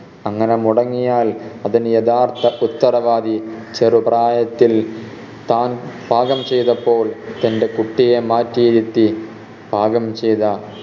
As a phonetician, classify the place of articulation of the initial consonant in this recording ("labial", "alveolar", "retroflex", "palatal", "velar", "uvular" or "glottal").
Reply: velar